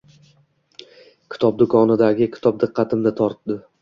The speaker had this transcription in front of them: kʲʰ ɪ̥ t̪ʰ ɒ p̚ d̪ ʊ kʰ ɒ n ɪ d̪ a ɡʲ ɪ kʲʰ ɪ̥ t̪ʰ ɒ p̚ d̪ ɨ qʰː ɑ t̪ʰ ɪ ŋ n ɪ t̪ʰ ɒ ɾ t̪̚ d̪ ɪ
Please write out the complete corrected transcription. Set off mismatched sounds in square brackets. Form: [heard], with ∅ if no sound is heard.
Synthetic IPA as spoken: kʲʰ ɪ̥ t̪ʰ ɒ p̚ d̪ ʊ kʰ ɒ n ɪ d̪ a ɡʲ ɪ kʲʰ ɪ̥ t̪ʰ ɒ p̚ d̪ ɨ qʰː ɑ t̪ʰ ɪ [m] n ɪ t̪ʰ ɒ ɾ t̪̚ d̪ ɪ